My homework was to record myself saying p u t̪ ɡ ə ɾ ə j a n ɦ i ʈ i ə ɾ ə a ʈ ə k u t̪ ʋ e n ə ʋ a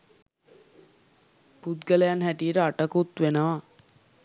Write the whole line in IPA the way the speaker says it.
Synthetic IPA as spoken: p u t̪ ɡ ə l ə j a n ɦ æ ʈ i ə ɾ ə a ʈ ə k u t̪ ʋ e n ə ʋ a